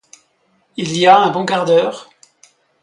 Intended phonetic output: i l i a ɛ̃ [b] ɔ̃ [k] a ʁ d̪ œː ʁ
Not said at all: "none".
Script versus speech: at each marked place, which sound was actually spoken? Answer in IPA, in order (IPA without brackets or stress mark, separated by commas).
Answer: b, k